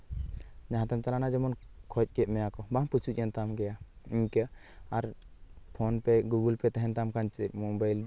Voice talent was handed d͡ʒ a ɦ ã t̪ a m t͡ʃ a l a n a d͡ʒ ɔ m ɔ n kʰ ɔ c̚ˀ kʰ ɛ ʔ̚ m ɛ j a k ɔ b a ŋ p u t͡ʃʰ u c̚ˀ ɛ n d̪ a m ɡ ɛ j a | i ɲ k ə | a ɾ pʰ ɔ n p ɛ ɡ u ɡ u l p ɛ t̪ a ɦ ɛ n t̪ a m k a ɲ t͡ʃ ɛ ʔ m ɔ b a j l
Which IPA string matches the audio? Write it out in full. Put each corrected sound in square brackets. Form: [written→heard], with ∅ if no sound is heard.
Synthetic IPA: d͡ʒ a ɦ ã t̪ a m t͡ʃ a l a n a d͡ʒ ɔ m ɔ n kʰ ɔ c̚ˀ [kʰ→k] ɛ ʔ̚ m ɛ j a k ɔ b a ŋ p u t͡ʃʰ u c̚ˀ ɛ n [d̪→t̪] a m ɡ ɛ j a | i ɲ k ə | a ɾ pʰ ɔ n p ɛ ɡ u ɡ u l p ɛ t̪ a ɦ ɛ n t̪ a m k a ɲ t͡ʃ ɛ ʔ m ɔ b a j l